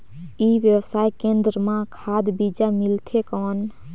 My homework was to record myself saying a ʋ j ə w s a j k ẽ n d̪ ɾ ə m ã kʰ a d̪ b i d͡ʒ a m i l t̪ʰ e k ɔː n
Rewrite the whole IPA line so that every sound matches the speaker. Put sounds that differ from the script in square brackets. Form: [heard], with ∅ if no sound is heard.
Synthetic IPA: [i] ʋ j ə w s a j k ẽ n d̪ ɾ ə m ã kʰ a d̪ b i d͡ʒ a m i l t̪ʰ e k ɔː n